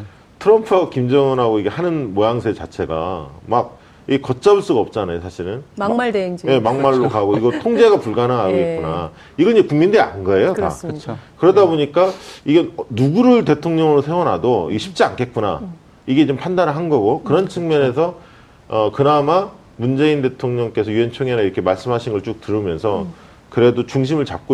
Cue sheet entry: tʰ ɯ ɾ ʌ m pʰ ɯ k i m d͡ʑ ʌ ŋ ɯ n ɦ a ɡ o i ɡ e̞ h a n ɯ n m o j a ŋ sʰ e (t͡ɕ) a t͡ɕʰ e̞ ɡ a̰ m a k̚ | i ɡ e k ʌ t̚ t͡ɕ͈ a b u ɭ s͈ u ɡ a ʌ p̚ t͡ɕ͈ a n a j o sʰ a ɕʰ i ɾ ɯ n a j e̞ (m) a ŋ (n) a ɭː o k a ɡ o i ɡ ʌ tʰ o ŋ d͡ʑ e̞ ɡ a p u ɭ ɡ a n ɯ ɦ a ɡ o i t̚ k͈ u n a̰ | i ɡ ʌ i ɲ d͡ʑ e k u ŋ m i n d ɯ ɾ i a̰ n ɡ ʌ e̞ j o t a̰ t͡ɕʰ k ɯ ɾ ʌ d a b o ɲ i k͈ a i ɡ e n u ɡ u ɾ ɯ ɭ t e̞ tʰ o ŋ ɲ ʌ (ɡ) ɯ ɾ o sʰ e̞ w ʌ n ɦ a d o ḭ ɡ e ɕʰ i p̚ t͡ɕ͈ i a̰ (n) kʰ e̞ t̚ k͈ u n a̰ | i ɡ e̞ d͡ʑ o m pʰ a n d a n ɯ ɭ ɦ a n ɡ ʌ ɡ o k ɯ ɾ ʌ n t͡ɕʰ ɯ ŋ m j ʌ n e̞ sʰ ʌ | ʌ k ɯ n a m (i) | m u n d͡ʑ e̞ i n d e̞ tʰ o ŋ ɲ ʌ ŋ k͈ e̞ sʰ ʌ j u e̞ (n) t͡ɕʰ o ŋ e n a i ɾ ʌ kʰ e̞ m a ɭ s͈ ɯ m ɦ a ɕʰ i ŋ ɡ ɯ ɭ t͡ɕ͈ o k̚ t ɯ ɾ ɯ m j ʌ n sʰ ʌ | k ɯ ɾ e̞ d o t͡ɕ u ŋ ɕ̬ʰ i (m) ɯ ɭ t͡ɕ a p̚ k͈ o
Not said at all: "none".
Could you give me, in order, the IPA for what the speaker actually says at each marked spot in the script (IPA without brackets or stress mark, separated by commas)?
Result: t͡ɕ, m, m, ŋ, n, a, n, m